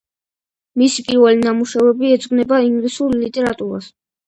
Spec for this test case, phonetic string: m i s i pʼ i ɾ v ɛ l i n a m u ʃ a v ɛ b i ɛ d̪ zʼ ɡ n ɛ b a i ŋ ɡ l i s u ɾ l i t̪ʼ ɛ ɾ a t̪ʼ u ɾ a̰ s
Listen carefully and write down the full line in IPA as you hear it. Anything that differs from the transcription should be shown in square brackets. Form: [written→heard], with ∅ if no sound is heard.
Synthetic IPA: m i s i pʼ i ɾ v ɛ l i n a m u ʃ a v ɛ b i ɛ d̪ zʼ ɡ n ɛ b a i ŋ ɡ l i s u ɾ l i t̪ʼ ɛ ɾ a t̪ʼ u ɾ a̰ s